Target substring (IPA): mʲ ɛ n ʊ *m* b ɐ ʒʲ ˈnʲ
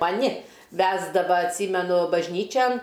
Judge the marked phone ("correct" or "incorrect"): incorrect